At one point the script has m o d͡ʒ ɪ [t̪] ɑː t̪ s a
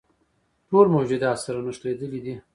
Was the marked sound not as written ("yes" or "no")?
yes